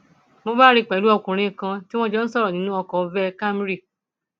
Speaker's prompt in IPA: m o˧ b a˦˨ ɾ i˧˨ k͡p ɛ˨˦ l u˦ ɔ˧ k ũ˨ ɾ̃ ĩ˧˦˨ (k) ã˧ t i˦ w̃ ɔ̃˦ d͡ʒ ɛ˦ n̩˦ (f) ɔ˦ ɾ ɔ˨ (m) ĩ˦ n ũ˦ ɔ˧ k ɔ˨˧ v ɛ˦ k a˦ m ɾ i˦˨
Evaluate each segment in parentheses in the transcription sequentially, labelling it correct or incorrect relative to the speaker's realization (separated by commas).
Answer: correct, incorrect, incorrect